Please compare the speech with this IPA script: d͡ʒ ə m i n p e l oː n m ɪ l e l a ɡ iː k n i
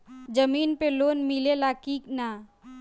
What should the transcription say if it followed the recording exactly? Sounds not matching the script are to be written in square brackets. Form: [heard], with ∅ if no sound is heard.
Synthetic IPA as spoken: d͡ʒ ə m [iː] n p e l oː n m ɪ l e l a [k] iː k n [a]

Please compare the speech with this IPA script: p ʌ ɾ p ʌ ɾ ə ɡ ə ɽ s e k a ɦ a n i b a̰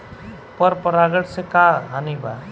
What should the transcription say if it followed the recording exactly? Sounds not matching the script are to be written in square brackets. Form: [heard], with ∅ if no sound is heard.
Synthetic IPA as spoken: p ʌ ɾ p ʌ ɾ [a] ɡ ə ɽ s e k a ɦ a n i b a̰

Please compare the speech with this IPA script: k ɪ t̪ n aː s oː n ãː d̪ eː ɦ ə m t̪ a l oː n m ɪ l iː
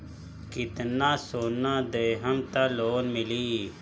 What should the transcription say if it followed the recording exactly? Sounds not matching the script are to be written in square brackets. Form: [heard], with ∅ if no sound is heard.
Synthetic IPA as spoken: k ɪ t̪ n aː s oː n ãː d̪ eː ɦ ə m t̪ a l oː n m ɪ l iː

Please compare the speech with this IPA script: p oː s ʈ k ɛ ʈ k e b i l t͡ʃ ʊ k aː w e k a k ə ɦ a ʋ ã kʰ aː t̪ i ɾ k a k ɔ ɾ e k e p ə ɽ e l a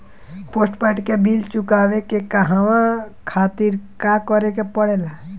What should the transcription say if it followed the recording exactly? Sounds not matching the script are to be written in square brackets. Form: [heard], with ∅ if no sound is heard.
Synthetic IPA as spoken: p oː s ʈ [p] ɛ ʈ k e b i l t͡ʃ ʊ k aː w e k [e] k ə ɦ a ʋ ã kʰ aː t̪ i ɾ k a k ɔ ɾ e k e p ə ɽ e l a

